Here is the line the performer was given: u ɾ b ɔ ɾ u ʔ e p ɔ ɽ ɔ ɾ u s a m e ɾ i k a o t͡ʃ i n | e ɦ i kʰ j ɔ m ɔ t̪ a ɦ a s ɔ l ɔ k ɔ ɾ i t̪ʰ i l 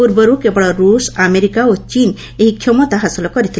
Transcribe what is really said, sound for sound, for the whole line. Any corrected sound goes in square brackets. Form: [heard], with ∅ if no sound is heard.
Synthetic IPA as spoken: u ɾ b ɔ ɾ u [k] e [b] ɔ ɽ ɔ ɾ u s a m e ɾ i k a o t͡ʃ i n | e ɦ i kʰ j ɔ m ɔ t̪ a ɦ a s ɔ l ɔ k ɔ ɾ i t̪ʰ i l